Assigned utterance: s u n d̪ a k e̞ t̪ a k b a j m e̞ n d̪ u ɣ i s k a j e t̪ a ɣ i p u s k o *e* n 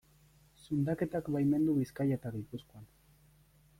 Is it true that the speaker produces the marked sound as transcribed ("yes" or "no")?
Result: no